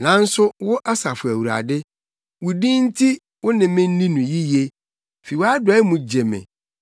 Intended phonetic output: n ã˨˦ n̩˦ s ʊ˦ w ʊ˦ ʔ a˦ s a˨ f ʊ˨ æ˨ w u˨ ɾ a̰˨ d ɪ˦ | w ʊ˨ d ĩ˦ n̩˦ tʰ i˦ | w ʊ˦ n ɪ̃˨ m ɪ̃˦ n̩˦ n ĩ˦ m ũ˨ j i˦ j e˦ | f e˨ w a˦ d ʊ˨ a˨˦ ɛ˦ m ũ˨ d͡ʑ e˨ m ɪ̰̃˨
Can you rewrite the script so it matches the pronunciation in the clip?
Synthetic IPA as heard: n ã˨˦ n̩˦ s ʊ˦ w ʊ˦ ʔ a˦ s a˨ f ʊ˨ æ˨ w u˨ ɾ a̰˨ d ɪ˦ | w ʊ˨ d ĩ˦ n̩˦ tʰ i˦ | w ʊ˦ n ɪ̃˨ m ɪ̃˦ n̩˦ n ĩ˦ n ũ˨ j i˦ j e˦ | f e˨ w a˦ d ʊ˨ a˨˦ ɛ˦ m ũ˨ d͡ʑ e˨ m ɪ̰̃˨